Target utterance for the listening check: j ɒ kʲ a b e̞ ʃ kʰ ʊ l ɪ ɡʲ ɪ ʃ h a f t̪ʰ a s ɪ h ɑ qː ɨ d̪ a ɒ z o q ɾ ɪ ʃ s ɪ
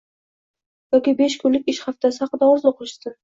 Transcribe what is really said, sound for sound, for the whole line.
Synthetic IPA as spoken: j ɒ kʲ i b e̞ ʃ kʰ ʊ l ɪ kʲ ɪ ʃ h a f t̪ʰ a s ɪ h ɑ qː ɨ d̪ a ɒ z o q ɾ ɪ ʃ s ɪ